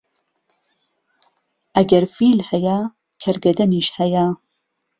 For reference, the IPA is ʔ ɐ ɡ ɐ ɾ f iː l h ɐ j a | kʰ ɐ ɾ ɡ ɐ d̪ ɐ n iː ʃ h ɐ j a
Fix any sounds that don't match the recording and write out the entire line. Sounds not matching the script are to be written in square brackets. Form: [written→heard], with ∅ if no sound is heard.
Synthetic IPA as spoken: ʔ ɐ ɡ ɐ ɾ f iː l h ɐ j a | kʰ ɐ ɾ ɡ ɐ d̪ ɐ n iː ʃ h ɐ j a